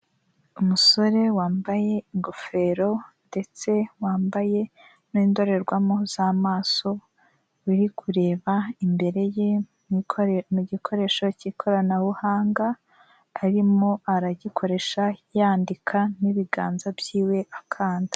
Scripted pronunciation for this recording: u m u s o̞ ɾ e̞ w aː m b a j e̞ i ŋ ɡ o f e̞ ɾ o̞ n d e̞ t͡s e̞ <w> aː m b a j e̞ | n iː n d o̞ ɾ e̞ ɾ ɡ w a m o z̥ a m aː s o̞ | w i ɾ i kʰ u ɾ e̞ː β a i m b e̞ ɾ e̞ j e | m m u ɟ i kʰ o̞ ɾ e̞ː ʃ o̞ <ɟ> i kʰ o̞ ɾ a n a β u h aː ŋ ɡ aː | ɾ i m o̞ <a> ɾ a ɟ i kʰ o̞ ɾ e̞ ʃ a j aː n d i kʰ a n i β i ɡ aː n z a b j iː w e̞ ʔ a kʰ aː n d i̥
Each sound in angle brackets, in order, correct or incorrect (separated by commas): correct, incorrect, correct